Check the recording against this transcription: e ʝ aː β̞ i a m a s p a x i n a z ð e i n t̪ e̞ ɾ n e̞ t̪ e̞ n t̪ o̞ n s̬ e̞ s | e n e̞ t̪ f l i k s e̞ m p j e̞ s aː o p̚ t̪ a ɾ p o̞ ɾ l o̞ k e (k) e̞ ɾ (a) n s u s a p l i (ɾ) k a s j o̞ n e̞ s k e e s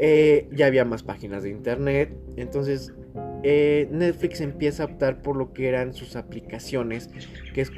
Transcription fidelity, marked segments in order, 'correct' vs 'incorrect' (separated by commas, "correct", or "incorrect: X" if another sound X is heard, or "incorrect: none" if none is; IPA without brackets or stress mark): incorrect: none, correct, incorrect: none